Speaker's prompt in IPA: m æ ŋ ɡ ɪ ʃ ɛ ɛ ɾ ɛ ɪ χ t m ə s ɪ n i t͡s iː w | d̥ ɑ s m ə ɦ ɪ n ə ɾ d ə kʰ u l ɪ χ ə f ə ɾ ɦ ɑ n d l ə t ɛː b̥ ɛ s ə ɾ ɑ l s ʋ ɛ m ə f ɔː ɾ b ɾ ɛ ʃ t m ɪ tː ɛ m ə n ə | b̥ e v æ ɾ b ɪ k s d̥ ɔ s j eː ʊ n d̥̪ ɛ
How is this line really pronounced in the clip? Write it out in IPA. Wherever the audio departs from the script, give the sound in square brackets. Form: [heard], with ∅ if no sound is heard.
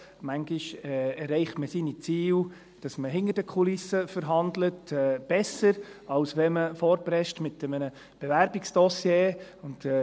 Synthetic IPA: m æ ŋ ɡ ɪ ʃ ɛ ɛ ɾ ɛ ɪ χ t m ə s [i] n i t͡s iː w | d̥ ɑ s m ə ɦ ɪ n ə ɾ d ə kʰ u l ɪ [s] ə f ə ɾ ɦ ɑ n d l ə t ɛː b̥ ɛ s ə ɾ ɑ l s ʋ ɛ m ə f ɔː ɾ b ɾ ɛ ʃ t m ɪ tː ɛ m ə n ə | b̥ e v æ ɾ b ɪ k s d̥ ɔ s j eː ʊ n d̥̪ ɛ